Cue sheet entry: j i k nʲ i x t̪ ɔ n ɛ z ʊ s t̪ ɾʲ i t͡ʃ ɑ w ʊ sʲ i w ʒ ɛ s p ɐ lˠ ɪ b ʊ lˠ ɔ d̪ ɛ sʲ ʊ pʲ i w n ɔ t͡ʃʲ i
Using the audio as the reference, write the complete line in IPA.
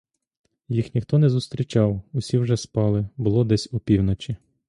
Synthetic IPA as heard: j i x nʲ i x t̪ ɔ n ɛ z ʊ s t̪ ɾʲ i t͡ʃ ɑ w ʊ sʲ i w ʒ ɛ s p ɑ lˠ ɪ b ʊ lˠ ɔ d̪ ɛ sʲ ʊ pʲ i w n ɔ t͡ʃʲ i